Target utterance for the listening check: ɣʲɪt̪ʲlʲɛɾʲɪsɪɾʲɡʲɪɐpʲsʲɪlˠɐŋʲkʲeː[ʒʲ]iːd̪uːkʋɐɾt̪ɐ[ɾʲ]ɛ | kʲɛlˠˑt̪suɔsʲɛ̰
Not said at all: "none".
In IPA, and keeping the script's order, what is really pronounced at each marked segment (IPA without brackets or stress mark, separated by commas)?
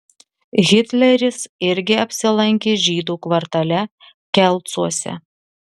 ʒʲ, lʲ